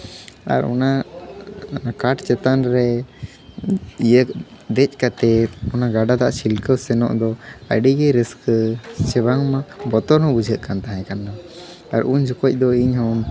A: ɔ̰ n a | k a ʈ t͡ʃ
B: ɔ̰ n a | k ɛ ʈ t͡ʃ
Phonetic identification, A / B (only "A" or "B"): A